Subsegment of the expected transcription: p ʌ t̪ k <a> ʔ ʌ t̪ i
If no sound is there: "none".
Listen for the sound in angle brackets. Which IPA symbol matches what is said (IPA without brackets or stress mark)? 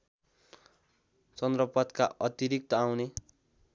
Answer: a